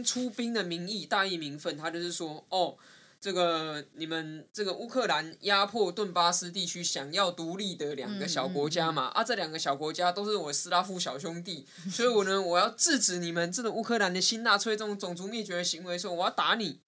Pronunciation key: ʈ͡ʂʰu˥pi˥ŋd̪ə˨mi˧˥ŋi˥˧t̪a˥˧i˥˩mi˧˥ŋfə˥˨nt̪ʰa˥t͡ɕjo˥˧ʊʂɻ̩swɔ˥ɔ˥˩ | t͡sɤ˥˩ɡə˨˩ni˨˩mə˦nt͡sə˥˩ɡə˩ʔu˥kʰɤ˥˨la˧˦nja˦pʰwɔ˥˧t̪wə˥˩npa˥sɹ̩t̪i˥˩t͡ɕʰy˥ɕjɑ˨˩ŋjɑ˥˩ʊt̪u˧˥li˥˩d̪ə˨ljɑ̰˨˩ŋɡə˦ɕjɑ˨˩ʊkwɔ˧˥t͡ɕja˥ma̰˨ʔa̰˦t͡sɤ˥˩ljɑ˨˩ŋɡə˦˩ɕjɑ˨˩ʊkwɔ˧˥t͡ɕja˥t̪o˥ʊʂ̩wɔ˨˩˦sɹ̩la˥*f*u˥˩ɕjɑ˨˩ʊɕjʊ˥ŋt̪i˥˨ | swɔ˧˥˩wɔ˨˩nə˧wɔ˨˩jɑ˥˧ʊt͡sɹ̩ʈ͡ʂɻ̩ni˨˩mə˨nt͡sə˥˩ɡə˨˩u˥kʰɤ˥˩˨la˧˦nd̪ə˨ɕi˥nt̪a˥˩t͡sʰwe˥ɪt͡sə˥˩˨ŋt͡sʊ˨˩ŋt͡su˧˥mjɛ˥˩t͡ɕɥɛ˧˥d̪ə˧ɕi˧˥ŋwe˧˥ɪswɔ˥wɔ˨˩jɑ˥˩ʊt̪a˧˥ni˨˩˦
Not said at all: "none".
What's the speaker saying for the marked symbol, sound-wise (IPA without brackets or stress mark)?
f